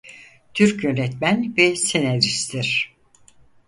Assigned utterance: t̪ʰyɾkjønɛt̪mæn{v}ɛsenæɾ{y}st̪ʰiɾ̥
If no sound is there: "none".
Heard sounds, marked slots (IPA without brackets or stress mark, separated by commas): v, i